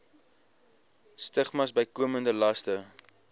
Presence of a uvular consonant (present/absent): present